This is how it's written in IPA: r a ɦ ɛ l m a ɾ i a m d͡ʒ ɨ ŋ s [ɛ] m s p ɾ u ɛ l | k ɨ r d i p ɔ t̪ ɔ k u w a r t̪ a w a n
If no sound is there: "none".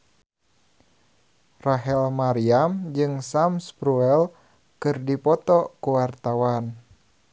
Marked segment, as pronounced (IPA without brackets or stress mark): a